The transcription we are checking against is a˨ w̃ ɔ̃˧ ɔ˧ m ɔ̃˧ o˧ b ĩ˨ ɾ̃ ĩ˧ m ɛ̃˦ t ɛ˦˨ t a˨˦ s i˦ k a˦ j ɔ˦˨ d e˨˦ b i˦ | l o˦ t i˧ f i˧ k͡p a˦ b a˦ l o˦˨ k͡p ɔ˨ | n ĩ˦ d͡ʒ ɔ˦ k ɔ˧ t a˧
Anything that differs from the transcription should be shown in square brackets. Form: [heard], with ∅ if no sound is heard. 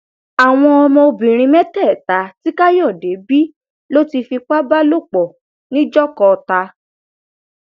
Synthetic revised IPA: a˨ w̃ ɔ̃˧ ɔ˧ m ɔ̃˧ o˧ b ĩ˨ ɾ̃ ĩ˧ m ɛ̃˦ t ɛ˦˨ t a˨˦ [t] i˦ k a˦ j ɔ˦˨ d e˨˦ b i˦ | l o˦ t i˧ f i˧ k͡p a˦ b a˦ l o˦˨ k͡p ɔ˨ | n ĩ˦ d͡ʒ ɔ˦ k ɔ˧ t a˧